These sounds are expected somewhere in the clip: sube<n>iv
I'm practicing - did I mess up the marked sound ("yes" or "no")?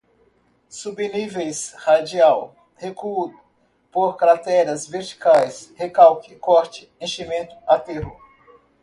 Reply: no